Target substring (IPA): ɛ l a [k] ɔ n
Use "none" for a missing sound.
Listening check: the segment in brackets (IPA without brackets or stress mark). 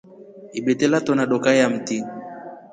t